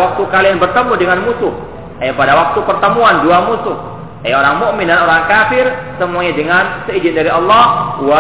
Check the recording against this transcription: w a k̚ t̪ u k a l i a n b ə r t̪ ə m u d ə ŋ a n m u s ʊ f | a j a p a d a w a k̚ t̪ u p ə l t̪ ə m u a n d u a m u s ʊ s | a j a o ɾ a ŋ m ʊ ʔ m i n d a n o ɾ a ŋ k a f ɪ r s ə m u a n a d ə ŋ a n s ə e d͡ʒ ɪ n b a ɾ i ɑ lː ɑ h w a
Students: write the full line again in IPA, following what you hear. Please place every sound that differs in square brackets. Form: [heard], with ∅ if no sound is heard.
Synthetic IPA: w a k̚ t̪ u k a l i a n b ə r t̪ ə m u d ə ŋ a n m u s ʊ [h] | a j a p a d a w a k̚ t̪ u p ə [r] t̪ ə m u a n d u a m u s ʊ [h] | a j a o ɾ a ŋ m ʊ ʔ m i n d a n o ɾ a ŋ k a f ɪ r s ə m u a [ɲ] a d ə ŋ a n s ə [i] d͡ʒ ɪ n [d] a ɾ i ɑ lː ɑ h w a